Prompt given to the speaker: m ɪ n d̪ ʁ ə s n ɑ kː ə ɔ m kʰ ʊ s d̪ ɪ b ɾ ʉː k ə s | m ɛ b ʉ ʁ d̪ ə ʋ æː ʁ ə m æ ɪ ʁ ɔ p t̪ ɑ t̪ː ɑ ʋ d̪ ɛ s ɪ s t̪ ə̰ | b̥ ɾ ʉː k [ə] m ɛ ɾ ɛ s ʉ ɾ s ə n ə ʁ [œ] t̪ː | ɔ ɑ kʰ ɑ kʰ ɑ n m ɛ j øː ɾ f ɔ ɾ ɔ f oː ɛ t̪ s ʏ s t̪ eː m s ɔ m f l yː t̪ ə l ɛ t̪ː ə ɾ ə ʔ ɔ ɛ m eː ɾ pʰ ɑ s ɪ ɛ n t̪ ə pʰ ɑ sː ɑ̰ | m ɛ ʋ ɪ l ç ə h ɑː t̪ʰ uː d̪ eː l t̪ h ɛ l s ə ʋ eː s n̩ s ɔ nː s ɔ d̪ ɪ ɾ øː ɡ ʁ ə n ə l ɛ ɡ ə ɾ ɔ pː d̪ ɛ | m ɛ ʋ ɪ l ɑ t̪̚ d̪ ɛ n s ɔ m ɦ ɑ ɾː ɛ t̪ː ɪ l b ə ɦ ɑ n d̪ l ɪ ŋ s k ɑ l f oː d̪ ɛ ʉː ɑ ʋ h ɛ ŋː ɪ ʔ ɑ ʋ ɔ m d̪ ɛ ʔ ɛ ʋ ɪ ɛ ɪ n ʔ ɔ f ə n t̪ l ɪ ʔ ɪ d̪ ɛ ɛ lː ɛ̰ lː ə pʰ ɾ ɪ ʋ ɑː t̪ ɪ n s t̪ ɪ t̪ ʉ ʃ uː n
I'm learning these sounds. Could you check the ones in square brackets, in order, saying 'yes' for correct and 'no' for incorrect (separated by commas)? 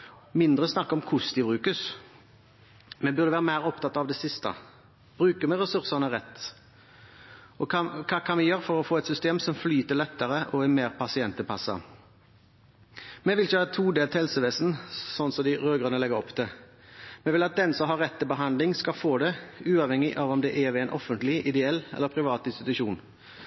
yes, no